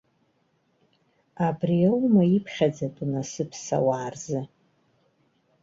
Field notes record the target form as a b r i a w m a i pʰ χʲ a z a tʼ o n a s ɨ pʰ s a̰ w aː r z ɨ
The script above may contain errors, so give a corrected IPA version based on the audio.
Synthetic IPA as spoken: a b r i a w m a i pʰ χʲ a d͡z a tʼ u n a s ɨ pʰ s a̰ w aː r z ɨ